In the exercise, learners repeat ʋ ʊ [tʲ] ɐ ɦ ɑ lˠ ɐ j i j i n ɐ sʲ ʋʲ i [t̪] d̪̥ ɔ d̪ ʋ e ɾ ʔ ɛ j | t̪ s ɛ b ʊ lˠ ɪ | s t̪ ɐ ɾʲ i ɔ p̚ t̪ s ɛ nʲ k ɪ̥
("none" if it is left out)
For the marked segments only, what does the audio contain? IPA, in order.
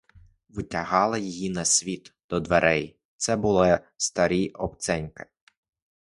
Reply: tʲ, t̪

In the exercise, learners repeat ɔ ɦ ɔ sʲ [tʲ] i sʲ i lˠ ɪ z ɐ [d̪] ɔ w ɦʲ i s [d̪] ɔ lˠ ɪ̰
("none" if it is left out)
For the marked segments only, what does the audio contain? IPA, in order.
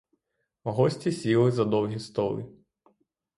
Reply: tʲ, d̪, t̪

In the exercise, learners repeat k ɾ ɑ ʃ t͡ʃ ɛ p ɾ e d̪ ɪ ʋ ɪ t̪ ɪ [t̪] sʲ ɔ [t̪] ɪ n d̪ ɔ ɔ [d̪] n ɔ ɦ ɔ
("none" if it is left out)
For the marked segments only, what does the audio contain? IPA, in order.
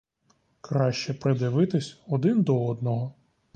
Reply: none, d̪, d̪

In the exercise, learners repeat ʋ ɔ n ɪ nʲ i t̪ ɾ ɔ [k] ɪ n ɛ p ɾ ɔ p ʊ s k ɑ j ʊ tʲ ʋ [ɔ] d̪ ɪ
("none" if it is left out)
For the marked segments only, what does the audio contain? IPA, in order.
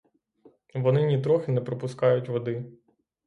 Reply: x, ɔ

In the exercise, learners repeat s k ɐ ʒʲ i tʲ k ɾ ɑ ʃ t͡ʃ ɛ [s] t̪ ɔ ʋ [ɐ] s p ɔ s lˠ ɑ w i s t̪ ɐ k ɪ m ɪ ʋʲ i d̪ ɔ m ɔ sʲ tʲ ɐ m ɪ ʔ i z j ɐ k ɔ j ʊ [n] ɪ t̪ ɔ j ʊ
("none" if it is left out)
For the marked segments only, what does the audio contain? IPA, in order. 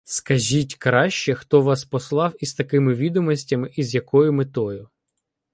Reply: x, ɑ, m

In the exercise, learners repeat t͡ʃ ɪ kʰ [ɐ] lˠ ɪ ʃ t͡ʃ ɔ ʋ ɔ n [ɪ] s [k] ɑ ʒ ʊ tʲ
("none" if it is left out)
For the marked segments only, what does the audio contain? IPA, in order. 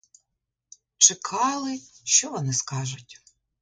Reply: ɑ, ɪ, k

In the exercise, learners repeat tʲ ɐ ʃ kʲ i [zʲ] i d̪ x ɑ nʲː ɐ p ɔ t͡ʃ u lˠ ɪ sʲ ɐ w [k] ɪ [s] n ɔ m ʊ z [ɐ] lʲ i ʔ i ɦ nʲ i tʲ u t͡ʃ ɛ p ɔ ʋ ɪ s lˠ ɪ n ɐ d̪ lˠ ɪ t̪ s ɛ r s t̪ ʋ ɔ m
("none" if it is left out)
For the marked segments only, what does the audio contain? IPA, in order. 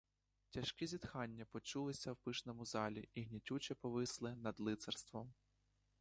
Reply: zʲ, p, ʃ, ɑ

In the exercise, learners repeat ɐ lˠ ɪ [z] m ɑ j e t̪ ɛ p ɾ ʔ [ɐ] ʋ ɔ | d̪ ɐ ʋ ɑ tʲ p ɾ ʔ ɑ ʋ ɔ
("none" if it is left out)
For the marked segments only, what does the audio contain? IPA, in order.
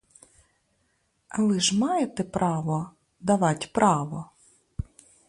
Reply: ʒ, ɑ

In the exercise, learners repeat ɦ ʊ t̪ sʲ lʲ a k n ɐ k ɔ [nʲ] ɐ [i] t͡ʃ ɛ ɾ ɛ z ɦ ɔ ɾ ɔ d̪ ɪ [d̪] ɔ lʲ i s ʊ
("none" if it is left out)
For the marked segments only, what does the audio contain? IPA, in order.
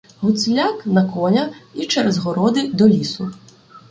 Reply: nʲ, i, d̪

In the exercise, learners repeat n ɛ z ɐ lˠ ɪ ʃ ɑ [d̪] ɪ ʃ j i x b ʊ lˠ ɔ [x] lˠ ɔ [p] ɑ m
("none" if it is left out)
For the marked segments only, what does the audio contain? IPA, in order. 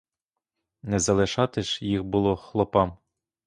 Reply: t̪, x, p

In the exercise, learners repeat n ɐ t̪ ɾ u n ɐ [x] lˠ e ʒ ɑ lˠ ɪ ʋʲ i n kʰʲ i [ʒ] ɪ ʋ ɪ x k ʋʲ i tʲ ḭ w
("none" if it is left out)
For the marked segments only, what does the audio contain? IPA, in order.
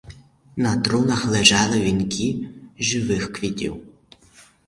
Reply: x, ʒ

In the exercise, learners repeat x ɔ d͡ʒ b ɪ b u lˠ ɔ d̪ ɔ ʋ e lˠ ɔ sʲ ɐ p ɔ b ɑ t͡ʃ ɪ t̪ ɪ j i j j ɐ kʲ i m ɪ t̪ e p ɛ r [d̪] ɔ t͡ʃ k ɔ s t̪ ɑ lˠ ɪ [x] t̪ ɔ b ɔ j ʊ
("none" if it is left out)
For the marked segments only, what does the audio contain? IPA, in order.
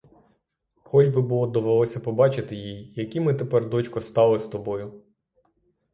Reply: d̪, s

